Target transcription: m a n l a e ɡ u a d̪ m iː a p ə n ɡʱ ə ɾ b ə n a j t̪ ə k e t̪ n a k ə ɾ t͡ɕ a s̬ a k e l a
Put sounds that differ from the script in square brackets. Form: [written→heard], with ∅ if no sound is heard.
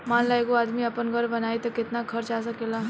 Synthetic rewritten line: m a n l a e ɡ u a d̪ m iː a p ə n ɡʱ ə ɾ b ə n a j t̪ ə k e t̪ n a [k→kʰ] ə ɾ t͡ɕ a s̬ a k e l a